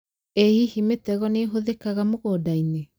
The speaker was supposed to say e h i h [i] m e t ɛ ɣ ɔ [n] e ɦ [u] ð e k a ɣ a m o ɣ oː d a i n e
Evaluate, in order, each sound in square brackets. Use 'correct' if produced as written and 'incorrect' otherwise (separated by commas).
correct, correct, incorrect